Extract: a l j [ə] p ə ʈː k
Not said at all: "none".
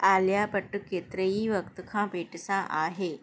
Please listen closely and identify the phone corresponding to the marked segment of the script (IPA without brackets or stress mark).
a